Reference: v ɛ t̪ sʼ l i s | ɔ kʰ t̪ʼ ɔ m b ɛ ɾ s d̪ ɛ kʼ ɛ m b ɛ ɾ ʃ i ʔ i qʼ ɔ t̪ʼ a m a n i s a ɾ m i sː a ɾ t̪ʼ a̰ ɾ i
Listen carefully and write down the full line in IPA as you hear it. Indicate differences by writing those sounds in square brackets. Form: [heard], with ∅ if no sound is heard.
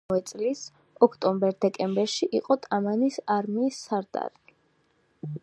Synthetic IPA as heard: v ɛ t̪ sʼ l i s | ɔ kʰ t̪ʼ ɔ m b ɛ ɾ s d̪ ɛ kʼ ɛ m b ɛ ɾ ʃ i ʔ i qʼ ɔ t̪ʼ a m a n i s a ɾ m [iː] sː a ɾ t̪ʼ a̰ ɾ i